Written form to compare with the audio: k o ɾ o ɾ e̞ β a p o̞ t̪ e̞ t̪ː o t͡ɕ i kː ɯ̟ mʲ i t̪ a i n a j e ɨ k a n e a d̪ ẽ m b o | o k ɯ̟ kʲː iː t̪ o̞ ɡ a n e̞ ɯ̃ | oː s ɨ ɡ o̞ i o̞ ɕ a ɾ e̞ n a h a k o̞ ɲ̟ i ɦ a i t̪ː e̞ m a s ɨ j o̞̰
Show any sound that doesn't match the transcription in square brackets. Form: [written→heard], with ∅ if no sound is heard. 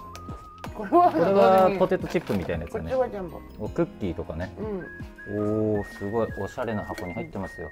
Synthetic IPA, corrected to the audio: k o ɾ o ɾ e̞ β a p o̞ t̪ e̞ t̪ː o t͡ɕ i [kː→pː] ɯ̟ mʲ i t̪ a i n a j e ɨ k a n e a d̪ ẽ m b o | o k ɯ̟ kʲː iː t̪ o̞ [ɡ→k] a n e̞ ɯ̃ | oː s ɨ ɡ o̞ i o̞ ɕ a ɾ e̞ n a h a k o̞ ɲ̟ i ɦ a i t̪ː e̞ m a s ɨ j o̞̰